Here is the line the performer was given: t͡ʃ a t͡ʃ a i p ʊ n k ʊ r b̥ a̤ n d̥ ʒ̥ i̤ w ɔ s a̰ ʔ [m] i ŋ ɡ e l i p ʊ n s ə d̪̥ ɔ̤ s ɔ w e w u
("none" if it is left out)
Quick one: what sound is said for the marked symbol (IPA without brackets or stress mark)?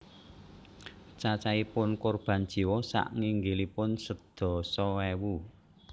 ŋ